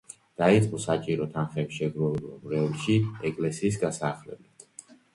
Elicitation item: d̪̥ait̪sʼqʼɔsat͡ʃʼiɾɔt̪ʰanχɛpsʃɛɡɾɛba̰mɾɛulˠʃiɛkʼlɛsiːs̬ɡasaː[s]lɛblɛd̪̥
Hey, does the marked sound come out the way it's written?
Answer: no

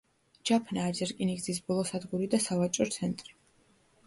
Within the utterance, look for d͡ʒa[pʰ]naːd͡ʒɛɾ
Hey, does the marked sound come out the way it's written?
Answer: yes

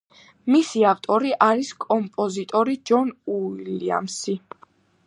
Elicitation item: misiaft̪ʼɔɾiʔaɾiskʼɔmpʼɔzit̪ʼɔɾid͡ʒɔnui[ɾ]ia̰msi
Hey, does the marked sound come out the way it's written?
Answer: no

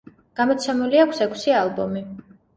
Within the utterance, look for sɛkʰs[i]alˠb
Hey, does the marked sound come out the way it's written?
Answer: yes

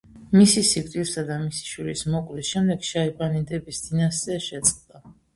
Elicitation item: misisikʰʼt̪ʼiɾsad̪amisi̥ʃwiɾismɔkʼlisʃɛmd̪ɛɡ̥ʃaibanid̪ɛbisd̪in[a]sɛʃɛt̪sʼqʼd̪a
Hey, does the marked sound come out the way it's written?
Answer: yes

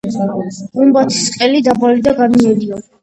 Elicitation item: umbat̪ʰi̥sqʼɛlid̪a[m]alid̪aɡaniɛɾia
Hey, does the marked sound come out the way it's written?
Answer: no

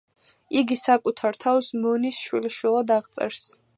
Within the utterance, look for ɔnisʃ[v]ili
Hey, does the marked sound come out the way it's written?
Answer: no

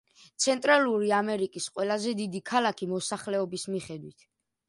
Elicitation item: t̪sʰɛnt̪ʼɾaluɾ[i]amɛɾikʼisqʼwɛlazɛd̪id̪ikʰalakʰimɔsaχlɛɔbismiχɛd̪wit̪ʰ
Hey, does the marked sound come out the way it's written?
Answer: yes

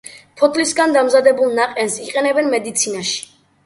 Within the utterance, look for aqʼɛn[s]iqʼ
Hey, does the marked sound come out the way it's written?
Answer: yes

